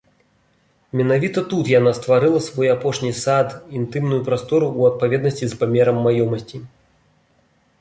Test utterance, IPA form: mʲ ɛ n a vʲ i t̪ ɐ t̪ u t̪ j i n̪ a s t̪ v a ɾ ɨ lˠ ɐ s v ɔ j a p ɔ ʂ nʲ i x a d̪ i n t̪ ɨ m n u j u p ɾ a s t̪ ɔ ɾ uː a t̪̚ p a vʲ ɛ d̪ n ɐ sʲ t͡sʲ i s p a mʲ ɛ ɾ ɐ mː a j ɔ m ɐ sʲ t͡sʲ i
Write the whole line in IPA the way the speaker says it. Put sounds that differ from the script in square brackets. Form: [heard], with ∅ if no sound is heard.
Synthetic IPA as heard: mʲ ɛ n a vʲ i t̪ ɐ t̪ u t̪ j [a] n̪ a s t̪ v a ɾ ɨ lˠ ɐ s v ɔ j a p ɔ ʂ nʲ i [s] a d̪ i n t̪ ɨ m n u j u p ɾ a s t̪ ɔ ɾ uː [ɐ] t̪̚ p a vʲ ɛ d̪ n ɐ sʲ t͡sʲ i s p a mʲ ɛ ɾ ɐ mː a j ɔ m ɐ sʲ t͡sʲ i